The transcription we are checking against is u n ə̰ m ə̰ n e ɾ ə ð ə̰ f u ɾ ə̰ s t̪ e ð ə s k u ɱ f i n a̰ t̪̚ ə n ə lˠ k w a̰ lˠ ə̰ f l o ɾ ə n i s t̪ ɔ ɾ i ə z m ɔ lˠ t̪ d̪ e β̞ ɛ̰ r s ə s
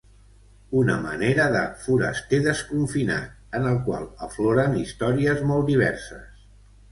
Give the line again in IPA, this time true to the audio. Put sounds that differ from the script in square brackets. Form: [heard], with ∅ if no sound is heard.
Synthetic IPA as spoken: u n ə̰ m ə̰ n e ɾ ə ð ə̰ f u ɾ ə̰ s t̪ e ð ə s k u ɱ f i n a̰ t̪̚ ə n ə lˠ k w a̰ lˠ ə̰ f l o ɾ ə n i s t̪ ɔ ɾ i ə z m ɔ lˠ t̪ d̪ [i] β̞ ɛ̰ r s ə s